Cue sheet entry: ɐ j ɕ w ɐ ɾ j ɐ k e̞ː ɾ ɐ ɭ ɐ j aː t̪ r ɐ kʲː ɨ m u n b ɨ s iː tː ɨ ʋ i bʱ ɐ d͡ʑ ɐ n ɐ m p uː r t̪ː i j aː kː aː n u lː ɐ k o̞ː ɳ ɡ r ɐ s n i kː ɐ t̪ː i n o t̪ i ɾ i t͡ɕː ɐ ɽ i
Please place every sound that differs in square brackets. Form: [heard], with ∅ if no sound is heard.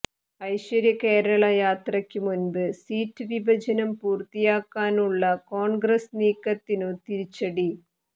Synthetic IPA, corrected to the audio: ɐ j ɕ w ɐ ɾ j ɐ k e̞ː ɾ ɐ ɭ ɐ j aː t̪ r ɐ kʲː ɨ m u n b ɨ s iː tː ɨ ʋ i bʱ ɐ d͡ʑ ɐ n ɐ m p uː r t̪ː i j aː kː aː n u [ɭː] ɐ k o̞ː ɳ ɡ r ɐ s n [iː] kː ɐ t̪ː i n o t̪ i ɾ i t͡ɕː ɐ ɽ i

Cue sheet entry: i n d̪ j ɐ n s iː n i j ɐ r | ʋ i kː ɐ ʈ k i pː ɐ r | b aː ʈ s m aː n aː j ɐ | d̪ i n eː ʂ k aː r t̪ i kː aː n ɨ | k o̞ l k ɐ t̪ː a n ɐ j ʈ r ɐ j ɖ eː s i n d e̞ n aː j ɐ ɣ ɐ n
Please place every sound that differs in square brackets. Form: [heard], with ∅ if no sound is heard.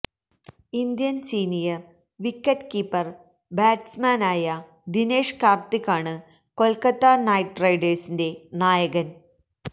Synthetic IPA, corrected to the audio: i n d̪ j ɐ n s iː n i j ɐ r | ʋ i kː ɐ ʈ k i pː ɐ r | b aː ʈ s m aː n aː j ɐ | d̪ i n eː ʂ k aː r t̪ i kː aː [ɳ] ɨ | k o̞ l k ɐ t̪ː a n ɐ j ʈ r ɐ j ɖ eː s i n d e̞ n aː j ɐ ɣ ɐ n

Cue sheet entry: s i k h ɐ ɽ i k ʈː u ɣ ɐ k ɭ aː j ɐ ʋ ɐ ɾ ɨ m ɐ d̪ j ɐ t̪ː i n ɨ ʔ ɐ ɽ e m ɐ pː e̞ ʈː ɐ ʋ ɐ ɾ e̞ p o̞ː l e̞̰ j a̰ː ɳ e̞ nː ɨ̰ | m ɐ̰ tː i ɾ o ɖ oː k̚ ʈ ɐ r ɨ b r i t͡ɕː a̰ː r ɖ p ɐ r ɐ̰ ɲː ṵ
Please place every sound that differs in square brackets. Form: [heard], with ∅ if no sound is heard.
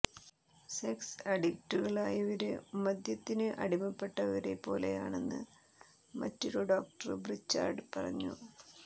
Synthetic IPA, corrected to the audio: s [e] k [s] ɐ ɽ i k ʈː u ɣ ɐ [∅] ɭ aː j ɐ ʋ ɐ ɾ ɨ m ɐ d̪ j ɐ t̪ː i n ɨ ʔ ɐ ɽ [i] m ɐ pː e̞ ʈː ɐ ʋ ɐ ɾ e̞ p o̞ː l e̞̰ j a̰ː ɳ e̞ nː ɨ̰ | m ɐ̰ tː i ɾ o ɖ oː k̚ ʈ ɐ r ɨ b r i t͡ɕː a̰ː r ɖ p ɐ r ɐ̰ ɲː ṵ

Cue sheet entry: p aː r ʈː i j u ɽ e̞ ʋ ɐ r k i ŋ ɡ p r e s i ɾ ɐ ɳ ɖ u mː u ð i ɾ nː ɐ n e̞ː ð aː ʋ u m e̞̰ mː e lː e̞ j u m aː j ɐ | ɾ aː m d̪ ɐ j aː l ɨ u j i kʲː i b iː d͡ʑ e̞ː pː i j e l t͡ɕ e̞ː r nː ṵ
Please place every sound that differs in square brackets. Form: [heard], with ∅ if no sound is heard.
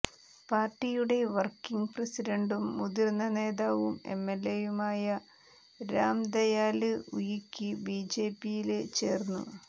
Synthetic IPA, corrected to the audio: p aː r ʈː i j u ɽ e̞ ʋ ɐ r k i ŋ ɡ p r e s i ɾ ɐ ɳ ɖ u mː u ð i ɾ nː ɐ n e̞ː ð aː ʋ u m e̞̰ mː e lː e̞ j u m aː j ɐ | ɾ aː m d̪ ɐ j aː l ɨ u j i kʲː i b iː d͡ʑ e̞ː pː i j [i] l t͡ɕ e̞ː r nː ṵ

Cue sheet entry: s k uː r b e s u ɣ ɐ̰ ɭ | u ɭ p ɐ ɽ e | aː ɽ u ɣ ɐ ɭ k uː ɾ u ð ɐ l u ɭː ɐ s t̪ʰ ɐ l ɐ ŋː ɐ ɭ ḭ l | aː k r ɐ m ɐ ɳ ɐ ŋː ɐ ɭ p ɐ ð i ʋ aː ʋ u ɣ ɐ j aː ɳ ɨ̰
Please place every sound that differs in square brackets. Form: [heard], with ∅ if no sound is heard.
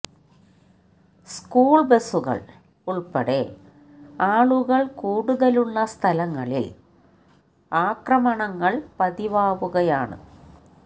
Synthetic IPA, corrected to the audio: s k uː [ɭ] b e s u ɣ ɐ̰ ɭ | u ɭ p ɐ ɽ e | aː [ɭ] u ɣ ɐ ɭ k uː [ɽ] u ð ɐ l u ɭː ɐ s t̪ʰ ɐ l ɐ ŋː ɐ ɭ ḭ l | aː k r ɐ m ɐ ɳ ɐ ŋː ɐ ɭ p ɐ ð i ʋ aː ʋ u ɣ ɐ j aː ɳ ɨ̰

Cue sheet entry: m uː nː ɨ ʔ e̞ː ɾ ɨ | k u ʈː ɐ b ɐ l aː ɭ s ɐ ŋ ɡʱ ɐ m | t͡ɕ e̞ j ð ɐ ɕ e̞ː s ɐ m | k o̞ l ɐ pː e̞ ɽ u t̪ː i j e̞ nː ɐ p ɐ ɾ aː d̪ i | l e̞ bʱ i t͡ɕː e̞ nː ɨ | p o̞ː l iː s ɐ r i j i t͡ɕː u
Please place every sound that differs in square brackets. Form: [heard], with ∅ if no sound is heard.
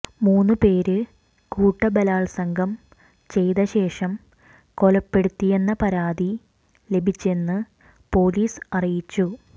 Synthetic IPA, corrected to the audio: m uː nː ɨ [p] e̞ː ɾ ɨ | k [uː] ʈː ɐ b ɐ l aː ɭ s ɐ ŋ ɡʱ ɐ m | t͡ɕ e̞ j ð ɐ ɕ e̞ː [ʂ] ɐ m | k o̞ l ɐ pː e̞ ɽ u t̪ː i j e̞ nː ɐ p ɐ ɾ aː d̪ i | l e̞ bʱ i t͡ɕː e̞ nː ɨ | p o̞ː l iː s ɐ r i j i t͡ɕː u

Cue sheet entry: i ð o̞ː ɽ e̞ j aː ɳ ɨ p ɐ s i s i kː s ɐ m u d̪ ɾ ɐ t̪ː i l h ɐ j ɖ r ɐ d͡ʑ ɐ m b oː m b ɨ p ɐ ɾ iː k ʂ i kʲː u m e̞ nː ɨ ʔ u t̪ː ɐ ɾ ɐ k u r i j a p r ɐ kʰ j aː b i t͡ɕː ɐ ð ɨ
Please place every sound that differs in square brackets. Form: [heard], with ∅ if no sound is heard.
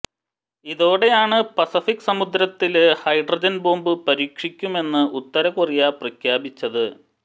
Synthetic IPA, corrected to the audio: i ð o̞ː ɽ e̞ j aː ɳ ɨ p ɐ s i [f] i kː s ɐ m u d̪ ɾ ɐ t̪ː i l h ɐ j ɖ r ɐ d͡ʑ ɐ [n] b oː m b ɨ p ɐ ɾ iː k ʂ i kʲː u m e̞ nː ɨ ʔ u t̪ː ɐ ɾ ɐ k u r i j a p r ɐ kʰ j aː b i t͡ɕː ɐ ð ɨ

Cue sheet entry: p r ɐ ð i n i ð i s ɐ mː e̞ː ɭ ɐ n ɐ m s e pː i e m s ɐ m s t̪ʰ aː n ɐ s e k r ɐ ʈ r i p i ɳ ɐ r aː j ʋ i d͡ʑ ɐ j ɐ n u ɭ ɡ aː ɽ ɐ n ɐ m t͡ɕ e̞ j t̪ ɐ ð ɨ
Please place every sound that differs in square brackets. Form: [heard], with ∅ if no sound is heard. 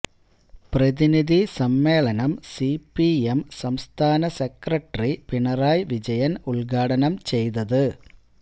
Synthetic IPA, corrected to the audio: p r ɐ ð i n i ð i s ɐ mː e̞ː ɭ ɐ n ɐ m s [i] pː i e m s ɐ m s t̪ʰ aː n ɐ s e k r ɐ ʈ r i p i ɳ ɐ r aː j ʋ i d͡ʑ ɐ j ɐ n u ɭ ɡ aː ɽ ɐ n ɐ m t͡ɕ e̞ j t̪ ɐ ð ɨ

